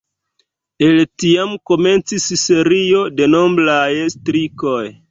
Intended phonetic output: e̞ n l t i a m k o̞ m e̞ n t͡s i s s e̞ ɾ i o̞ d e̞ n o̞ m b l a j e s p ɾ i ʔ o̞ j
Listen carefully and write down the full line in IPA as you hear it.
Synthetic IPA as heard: e̞ l t i a m k o̞ m e̞ n t͡s i s s e̞ ɾ i o̞ d e̞ n o̞ m b l a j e s t ɾ i k o̞ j